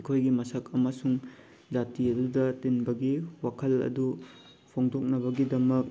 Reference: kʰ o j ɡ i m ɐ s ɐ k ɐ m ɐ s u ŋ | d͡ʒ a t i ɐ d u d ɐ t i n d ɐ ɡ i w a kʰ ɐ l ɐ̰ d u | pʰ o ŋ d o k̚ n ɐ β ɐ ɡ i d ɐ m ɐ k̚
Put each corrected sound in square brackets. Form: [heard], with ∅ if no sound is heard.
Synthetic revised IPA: kʰ o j ɡ i m ɐ s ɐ k ɐ m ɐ s u ŋ | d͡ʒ a t i ɐ d u d ɐ t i n [b] ɐ ɡ i w a kʰ ɐ l ɐ̰ d u | pʰ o ŋ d o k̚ n ɐ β ɐ ɡ i d ɐ m ɐ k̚